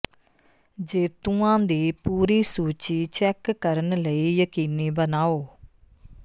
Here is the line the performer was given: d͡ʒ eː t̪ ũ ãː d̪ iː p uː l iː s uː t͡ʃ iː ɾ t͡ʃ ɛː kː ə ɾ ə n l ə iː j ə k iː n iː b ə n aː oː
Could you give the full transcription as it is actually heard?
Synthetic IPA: d͡ʒ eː t̪ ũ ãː d̪ iː p uː ɾ iː s uː t͡ʃ iː t͡ʃ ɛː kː ə ɾ ə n l ə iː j ə k iː n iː b ə n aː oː

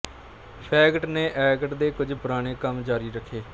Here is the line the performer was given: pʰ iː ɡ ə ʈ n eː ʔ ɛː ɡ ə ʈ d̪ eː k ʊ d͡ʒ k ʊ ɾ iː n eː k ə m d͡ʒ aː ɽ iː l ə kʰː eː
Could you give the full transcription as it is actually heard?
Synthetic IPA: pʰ ɛː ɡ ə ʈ n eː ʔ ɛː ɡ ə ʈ d̪ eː k ʊ d͡ʒ p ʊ ɾ aː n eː k ə m d͡ʒ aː ɾ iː ɾ ə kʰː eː

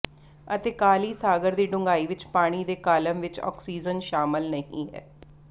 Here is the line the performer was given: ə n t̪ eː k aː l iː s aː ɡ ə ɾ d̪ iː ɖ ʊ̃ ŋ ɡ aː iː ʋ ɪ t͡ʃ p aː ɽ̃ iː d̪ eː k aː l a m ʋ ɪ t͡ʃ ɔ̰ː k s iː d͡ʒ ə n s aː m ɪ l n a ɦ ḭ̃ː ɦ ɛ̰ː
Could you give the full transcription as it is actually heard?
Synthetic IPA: ə t̪ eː k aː l iː s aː ɡ ə ɾ d̪ iː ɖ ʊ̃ ŋ ɡ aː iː ʋ ɪ t͡ʃ p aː ɽ̃ iː d̪ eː k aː l ə m ʋ ɪ t͡ʃ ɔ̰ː k s iː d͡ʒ ə n ʃ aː m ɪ l n ə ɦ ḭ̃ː ɦ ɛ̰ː

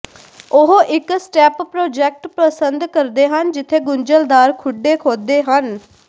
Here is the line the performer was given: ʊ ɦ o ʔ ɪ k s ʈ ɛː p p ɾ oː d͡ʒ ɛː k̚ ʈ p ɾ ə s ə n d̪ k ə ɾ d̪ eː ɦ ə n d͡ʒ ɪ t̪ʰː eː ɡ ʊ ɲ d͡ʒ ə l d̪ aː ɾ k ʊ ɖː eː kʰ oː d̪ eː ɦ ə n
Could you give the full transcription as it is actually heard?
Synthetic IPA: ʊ ɦ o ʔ ɪ k s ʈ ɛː p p ɾ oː d͡ʒ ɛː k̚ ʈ p ɾ ə s ə n d̪ k ə ɾ d̪ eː ɦ ə n d͡ʒ ɪ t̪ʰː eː ɡ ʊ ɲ d͡ʒ ə l d̪ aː ɾ kʰ ʊ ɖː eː kʰ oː d̪ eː ɦ ə n

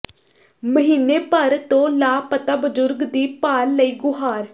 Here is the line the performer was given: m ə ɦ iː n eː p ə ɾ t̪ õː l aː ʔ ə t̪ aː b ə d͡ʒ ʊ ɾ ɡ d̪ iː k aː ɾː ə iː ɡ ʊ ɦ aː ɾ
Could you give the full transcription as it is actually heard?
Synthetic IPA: m ə ɦ iː n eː p ə ɾ t̪ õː l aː p ə t̪ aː b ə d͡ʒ ʊ ɾ ɡ d̪ iː p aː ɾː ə iː ɡ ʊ ɦ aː ɾ

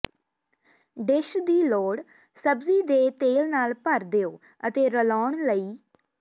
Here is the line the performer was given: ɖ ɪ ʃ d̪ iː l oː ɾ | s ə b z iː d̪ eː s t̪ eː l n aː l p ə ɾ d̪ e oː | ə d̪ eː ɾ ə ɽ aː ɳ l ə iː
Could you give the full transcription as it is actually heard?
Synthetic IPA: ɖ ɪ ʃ d̪ iː l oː ɽ | s ə b z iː d̪ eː t̪ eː l n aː l p ə ɾ d̪ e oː | ə t̪ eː ɾ ə l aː ɳ l ə iː

